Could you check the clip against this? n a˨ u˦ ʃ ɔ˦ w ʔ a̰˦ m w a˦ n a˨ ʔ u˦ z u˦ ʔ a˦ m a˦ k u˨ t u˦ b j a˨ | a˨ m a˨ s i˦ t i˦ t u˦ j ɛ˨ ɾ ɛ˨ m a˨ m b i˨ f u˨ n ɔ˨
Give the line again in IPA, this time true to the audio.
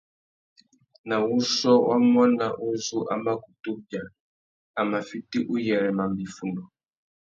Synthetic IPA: n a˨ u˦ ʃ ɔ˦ w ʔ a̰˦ m w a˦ n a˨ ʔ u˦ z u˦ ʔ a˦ m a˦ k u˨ t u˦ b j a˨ | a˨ m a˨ f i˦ t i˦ ʔ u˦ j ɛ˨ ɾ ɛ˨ m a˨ m b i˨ f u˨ n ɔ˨

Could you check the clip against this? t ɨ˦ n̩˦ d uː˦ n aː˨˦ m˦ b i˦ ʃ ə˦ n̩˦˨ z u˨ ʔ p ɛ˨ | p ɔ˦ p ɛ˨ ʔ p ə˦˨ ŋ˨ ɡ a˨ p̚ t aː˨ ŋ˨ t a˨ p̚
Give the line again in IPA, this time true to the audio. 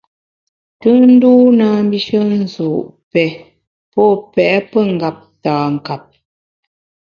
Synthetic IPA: t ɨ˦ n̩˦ d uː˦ n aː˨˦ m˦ b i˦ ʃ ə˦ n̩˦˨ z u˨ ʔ p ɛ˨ | p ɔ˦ p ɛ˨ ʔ p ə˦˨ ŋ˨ ɡ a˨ p̚ t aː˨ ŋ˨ k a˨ p̚

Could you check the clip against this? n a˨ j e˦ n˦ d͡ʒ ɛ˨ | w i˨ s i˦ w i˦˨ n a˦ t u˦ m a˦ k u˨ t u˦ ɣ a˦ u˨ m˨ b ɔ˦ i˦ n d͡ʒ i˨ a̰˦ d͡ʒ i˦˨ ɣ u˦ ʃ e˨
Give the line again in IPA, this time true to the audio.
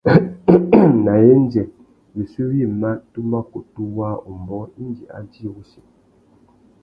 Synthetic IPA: n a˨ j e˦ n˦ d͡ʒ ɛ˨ | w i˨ s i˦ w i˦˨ m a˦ t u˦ m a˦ k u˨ t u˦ w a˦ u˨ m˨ b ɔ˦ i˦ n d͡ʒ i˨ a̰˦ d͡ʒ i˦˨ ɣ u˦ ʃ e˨

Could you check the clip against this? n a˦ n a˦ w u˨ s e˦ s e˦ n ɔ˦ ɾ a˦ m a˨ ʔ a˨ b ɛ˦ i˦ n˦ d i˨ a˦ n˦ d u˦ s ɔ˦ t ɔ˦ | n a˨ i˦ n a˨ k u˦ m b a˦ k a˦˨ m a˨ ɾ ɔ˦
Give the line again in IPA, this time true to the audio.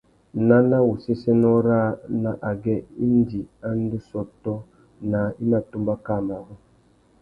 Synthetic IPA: n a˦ n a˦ w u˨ s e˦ s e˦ n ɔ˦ ɾ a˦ n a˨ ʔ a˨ ɡ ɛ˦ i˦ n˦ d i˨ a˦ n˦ d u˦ s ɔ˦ t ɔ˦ | n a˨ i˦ n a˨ t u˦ m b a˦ k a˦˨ m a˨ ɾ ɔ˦

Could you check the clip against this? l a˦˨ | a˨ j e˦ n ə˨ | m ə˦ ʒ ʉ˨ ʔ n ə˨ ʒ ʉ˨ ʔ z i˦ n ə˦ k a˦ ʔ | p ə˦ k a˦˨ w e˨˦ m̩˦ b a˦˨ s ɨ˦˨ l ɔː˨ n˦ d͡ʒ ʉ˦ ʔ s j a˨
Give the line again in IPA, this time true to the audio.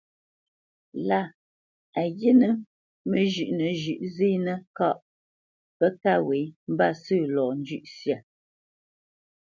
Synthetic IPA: l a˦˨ | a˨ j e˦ n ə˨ | m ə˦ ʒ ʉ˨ ʔ n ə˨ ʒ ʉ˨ ʔ z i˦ n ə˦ k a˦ ʔ | p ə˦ k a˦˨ w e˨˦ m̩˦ b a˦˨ s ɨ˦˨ l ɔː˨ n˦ d͡ʒ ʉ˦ ʔ s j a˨

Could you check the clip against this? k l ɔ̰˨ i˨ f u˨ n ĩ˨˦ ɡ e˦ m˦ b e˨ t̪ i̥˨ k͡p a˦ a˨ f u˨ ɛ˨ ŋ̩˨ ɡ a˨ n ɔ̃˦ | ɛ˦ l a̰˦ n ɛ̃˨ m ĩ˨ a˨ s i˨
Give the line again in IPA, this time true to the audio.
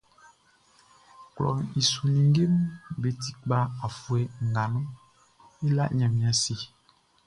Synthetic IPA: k l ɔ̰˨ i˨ s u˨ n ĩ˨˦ ɡ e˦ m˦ b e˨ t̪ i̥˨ k͡p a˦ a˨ f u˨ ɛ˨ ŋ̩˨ ɡ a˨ n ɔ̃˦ | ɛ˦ l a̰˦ ɲ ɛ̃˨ m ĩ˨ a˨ s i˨

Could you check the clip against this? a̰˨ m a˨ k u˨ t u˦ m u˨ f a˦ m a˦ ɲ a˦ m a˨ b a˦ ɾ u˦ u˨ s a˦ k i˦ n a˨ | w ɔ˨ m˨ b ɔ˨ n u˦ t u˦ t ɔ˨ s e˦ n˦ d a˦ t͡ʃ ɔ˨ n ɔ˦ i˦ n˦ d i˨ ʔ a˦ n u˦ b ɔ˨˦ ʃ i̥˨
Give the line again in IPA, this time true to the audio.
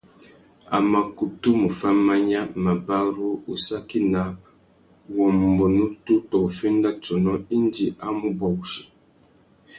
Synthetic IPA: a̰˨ m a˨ k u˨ t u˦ m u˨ f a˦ m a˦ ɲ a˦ m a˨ b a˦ ɾ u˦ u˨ s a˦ k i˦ n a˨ | w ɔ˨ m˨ b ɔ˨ n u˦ t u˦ t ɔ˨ f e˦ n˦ d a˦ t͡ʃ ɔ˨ n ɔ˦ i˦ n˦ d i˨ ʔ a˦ m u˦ b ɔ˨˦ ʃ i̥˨

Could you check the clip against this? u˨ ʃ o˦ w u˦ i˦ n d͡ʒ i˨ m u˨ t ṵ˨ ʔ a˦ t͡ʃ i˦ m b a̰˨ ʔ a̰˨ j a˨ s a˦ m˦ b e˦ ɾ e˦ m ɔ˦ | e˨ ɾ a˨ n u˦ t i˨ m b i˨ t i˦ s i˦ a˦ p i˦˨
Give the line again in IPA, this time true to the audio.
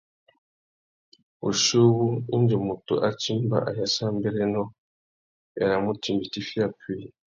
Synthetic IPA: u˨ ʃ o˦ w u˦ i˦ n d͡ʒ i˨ m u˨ t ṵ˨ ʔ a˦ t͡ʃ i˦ m b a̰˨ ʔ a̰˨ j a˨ s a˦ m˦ b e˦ ɾ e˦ n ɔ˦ | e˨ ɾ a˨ m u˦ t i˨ m b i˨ t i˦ f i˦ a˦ p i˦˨

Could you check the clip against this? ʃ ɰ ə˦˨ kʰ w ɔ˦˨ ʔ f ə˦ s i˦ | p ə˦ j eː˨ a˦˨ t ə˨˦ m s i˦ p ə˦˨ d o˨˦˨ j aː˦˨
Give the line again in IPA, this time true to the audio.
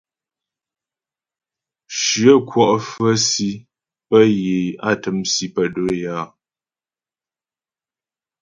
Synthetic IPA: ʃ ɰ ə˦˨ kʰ w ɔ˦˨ ʔ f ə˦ s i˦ | p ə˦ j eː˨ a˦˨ t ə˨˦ m s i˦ p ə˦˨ d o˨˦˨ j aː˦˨

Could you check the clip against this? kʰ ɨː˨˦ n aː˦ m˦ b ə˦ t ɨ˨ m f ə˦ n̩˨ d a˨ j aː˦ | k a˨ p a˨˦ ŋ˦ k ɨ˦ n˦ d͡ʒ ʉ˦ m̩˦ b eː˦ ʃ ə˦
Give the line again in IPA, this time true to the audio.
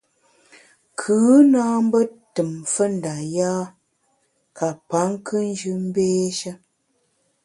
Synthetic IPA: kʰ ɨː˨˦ n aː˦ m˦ b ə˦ t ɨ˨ m f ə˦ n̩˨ d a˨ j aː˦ | k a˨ p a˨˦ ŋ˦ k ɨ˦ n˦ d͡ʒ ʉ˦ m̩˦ b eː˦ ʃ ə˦

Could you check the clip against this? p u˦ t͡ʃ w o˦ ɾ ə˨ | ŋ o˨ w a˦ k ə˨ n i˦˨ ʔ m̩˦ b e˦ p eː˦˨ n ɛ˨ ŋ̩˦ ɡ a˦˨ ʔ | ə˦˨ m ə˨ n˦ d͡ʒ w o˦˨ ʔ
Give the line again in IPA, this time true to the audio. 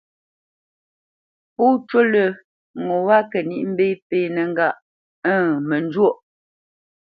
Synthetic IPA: p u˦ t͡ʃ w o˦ l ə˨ | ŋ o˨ w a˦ k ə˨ n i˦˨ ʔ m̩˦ b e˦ p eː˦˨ n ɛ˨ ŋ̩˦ ɡ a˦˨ ʔ | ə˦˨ m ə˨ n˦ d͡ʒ w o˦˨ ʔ

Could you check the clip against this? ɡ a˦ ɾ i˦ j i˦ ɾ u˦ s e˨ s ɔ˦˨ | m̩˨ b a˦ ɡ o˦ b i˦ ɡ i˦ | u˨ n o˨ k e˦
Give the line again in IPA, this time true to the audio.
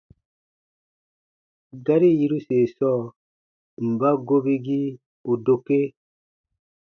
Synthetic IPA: ɡ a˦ ɾ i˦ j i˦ ɾ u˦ s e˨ s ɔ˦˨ | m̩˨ b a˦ ɡ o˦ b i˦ ɡ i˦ | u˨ d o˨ k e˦

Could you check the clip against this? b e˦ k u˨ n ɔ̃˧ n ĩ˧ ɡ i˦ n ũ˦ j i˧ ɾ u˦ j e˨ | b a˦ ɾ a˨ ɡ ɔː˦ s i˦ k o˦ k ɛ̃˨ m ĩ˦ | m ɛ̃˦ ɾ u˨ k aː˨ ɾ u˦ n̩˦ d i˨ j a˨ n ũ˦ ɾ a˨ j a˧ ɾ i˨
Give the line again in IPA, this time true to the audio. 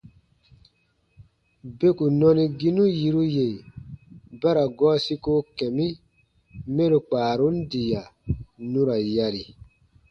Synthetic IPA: b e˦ k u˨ n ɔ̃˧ n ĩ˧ ɡ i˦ n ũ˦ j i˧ ɾ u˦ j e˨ | b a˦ ɾ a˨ ɡ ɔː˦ s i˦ k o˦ k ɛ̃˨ m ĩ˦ | m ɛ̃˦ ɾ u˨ k͡p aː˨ ɾ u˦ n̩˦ d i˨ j a˨ n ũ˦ ɾ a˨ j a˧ ɾ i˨

